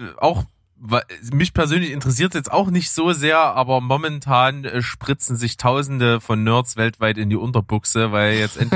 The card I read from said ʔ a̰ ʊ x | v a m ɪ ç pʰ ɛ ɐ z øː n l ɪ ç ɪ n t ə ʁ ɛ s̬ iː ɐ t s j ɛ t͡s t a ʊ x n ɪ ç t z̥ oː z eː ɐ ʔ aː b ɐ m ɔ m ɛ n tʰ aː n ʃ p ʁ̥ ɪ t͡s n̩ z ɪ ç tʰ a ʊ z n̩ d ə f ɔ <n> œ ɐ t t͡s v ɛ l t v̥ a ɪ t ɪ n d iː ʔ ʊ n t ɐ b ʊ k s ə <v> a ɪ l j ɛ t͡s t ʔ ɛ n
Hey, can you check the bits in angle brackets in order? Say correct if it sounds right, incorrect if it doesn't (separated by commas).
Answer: incorrect, correct